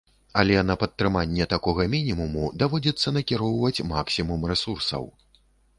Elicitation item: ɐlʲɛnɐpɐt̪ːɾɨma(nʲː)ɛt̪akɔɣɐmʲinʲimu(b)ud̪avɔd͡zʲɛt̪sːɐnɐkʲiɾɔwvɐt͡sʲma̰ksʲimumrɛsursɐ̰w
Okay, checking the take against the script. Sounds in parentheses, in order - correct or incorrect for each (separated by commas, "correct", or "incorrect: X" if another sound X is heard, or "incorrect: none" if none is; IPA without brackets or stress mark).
correct, incorrect: m